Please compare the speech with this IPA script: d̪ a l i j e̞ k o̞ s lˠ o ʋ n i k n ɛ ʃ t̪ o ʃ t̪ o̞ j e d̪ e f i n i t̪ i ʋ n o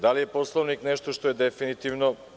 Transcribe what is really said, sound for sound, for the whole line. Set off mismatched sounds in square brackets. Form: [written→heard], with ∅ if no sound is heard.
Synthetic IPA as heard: d̪ a l i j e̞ [k→p] o̞ s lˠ o ʋ n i k n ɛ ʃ t̪ o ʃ t̪ o̞ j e d̪ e f i n i t̪ i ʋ n o